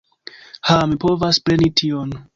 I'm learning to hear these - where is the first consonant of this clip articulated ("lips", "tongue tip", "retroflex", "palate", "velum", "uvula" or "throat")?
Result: throat